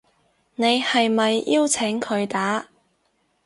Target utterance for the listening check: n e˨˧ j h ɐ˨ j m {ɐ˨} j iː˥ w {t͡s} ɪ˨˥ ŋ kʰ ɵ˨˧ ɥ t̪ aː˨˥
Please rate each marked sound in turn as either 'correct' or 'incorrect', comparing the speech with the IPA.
correct, incorrect: t͡sʰ

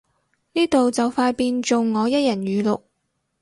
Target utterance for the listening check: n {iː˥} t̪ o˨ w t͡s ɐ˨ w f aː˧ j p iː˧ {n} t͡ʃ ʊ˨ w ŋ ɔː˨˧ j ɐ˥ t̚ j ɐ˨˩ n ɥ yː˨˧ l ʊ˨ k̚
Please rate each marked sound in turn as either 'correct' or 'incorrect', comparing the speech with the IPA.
correct, correct

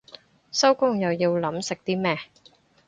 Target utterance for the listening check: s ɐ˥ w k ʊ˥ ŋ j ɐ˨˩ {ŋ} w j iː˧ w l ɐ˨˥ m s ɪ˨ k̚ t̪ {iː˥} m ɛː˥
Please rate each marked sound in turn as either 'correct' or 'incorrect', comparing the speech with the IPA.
incorrect: none, correct

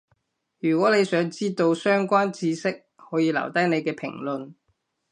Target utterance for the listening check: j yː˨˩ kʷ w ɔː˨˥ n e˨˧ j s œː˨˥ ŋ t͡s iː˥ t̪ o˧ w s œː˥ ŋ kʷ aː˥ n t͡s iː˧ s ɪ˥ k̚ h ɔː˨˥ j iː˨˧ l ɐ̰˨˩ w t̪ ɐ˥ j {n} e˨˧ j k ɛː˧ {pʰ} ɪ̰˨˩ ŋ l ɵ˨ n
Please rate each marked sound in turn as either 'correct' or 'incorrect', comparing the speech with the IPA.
correct, correct

